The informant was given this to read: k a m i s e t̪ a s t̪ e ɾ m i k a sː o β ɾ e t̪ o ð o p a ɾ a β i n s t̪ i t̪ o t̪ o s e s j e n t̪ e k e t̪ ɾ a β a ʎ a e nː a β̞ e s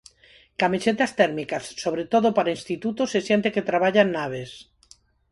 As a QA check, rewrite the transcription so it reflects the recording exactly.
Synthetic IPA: k a m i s e t̪ a s t̪ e ɾ m i k a sː o β ɾ e t̪ o ð o p a ɾ a i n s t̪ i t̪ u t̪ o s e s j e n t̪ e k e t̪ ɾ a β a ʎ a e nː a β̞ e s